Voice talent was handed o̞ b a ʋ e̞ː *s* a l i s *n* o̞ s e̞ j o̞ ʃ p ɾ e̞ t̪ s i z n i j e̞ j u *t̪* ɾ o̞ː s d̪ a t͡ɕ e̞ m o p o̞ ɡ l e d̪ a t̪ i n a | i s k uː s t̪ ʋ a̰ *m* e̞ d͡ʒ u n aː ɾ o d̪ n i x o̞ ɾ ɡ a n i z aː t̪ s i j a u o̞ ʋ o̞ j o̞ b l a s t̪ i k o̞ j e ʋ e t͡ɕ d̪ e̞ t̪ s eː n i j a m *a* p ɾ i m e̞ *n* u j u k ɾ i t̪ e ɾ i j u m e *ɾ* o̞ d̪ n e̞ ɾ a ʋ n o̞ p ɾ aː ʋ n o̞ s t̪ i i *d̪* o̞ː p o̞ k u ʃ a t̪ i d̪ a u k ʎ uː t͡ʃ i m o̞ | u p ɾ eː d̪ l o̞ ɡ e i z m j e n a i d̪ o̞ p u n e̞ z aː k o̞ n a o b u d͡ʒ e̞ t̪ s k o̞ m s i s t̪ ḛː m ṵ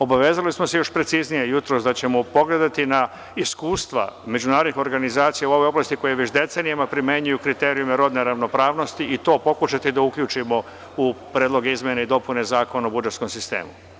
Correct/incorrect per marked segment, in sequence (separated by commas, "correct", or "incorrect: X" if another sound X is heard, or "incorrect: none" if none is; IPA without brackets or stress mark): incorrect: z, incorrect: m, correct, correct, correct, incorrect: ɲ, correct, incorrect: t̪